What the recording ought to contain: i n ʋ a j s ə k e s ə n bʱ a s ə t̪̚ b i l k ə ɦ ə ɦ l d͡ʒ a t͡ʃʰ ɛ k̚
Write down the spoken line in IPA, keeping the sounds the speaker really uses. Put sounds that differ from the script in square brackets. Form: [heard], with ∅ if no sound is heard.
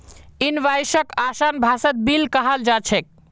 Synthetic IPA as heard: i n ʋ a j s ə k [a] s [a] n bʱ a s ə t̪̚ b i l k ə ɦ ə [∅] l d͡ʒ a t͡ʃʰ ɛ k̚